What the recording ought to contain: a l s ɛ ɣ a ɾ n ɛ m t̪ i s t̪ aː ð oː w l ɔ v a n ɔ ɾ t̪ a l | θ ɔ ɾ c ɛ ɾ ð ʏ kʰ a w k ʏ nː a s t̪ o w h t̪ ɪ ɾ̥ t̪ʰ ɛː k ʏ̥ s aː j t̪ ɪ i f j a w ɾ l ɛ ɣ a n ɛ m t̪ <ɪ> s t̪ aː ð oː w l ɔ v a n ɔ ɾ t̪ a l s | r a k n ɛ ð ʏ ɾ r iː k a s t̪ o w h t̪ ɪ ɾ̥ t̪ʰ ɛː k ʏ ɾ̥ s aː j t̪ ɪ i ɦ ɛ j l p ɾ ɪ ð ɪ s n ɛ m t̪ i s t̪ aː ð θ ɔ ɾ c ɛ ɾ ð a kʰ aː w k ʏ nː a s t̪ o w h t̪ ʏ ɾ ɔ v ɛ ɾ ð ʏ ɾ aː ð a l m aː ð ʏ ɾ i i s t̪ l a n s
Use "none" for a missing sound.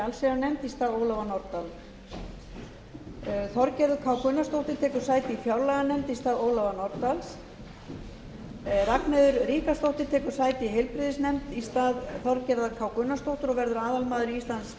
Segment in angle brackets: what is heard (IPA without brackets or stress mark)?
i